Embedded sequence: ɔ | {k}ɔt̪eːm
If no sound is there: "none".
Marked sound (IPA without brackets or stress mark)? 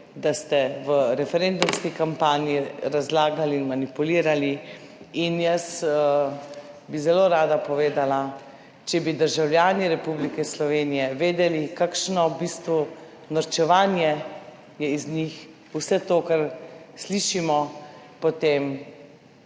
p